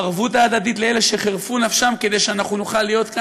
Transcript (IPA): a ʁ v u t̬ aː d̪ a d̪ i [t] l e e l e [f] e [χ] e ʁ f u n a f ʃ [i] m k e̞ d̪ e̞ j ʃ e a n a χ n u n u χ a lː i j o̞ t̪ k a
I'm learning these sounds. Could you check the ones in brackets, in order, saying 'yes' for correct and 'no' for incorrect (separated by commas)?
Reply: yes, no, yes, no